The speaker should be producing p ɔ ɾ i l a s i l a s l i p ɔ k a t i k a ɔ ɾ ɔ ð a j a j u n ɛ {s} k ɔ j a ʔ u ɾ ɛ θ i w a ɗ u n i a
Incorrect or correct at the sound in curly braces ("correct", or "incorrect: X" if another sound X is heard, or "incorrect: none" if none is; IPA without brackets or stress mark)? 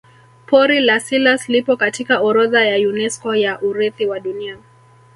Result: correct